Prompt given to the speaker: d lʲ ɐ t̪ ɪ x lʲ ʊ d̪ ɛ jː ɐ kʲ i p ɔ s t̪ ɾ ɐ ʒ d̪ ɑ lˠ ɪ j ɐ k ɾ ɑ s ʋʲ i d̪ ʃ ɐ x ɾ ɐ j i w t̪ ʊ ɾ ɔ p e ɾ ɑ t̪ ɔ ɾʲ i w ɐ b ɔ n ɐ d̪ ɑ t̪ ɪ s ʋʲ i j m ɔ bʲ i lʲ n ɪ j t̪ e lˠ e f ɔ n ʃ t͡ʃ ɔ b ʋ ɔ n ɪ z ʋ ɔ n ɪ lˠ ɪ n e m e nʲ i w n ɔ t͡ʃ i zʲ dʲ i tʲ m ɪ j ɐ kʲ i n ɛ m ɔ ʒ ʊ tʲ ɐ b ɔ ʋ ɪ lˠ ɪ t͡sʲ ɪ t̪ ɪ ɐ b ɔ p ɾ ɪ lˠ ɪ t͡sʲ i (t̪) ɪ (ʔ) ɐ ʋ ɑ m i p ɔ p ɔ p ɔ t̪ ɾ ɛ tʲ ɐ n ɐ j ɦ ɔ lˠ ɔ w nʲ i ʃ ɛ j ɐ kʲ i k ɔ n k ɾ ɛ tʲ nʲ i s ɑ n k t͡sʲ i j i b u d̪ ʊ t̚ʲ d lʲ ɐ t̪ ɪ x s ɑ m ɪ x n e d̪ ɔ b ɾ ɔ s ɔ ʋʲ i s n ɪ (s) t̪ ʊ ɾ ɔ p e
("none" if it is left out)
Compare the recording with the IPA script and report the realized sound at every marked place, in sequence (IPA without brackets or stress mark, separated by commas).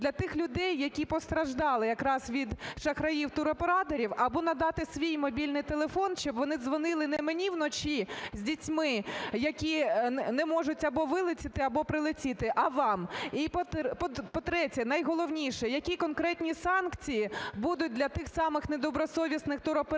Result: t̪, ʔ, x